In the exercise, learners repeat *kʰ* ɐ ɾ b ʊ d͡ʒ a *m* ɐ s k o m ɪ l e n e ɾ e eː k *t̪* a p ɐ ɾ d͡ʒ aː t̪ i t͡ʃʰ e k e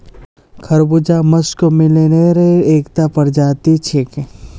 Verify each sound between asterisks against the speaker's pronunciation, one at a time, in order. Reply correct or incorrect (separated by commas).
correct, correct, correct